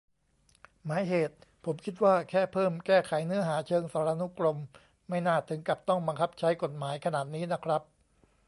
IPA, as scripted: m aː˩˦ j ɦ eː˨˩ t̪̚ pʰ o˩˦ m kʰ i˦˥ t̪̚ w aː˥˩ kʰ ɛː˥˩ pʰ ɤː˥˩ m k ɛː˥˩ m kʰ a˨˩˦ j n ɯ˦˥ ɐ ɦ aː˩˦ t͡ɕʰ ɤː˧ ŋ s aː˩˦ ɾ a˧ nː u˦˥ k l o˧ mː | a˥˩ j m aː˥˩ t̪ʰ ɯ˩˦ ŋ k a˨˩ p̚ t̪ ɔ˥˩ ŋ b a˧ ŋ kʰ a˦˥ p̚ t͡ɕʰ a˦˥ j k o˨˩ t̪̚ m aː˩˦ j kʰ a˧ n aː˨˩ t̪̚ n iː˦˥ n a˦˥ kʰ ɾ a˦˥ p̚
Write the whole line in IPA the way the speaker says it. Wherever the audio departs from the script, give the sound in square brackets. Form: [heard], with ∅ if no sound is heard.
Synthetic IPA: m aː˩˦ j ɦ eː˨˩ t̪̚ pʰ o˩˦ m kʰ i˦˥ t̪̚ w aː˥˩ kʰ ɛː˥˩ pʰ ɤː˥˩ m k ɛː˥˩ [∅] kʰ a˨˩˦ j n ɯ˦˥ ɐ ɦ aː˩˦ t͡ɕʰ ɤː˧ ŋ s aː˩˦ ɾ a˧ [n] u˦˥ k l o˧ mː | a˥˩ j [n] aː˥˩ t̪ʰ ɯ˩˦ ŋ k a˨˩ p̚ t̪ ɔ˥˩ ŋ b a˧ ŋ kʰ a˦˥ p̚ t͡ɕʰ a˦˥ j k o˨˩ t̪̚ m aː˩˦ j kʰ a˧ n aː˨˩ t̪̚ n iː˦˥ n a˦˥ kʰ ɾ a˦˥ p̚